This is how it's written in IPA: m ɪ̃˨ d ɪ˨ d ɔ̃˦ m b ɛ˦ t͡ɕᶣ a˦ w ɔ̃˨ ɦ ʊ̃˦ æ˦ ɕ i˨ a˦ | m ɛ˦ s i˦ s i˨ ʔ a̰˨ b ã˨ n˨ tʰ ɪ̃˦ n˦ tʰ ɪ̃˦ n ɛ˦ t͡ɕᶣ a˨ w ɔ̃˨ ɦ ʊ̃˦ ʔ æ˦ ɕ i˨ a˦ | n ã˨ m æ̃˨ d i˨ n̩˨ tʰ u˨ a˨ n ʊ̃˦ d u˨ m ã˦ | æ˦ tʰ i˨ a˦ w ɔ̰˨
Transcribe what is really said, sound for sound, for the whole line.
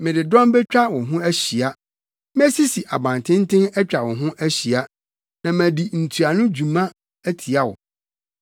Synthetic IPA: m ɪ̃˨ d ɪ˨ d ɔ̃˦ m b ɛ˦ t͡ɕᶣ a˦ w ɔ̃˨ ɦ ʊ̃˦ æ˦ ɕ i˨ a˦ | m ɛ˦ s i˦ s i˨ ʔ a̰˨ b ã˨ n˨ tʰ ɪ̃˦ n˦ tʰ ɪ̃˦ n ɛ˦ t͡ɕᶣ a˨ w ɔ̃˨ ɦ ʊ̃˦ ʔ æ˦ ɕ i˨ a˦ | n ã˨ m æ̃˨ d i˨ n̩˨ tʰ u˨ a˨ n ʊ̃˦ d͡ʑ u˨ m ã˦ | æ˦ tʰ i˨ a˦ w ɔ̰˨